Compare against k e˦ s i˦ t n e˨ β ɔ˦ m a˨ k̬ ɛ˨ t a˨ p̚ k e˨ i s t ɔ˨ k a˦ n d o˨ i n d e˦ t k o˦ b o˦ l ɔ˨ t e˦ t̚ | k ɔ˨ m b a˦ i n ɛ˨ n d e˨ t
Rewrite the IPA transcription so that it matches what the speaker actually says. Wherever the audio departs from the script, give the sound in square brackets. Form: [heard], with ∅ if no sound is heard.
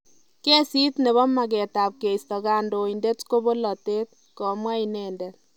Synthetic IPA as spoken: k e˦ s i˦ t n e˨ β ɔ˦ m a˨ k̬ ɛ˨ t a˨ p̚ k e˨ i s t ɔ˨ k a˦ n d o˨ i n d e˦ t k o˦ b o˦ l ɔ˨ t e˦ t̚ | k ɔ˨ m [w] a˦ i n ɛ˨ n d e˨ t